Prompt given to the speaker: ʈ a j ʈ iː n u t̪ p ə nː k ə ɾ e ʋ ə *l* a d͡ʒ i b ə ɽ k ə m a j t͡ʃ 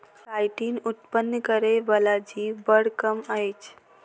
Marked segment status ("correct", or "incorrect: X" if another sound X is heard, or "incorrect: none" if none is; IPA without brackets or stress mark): correct